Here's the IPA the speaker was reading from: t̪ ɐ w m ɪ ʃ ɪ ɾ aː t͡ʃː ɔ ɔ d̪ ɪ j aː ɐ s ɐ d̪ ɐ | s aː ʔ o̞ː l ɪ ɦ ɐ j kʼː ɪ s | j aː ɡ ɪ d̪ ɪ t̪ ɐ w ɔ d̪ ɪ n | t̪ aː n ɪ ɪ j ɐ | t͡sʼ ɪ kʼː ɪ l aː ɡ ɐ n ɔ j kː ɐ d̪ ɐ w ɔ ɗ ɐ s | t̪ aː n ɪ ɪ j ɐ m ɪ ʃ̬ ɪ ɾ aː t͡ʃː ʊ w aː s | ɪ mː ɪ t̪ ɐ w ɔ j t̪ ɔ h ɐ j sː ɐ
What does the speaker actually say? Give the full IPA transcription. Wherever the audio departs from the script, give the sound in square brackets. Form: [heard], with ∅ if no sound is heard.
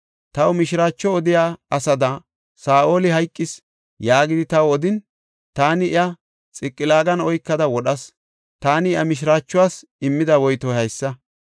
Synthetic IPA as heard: t̪ ɐ w m ɪ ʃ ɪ ɾ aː t͡ʃː ɔ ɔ d̪ ɪ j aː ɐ s ɐ d̪ ɐ | s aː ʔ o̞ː l ɪ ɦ ɐ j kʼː ɪ s | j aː ɡ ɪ d̪ ɪ t̪ ɐ w ɔ d̪ ɪ n | t̪ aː n ɪ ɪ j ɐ | t͡sʼ ɪ kʼː ɪ l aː ɡ ɐ n ɔ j kː ɐ d̪ ɐ w ɔ ɗ ɐ s | t̪ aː n ɪ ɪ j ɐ m ɪ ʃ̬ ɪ ɾ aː t͡ʃː ʊ w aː s | ɪ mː ɪ [d̪] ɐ w ɔ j t̪ ɔ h ɐ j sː ɐ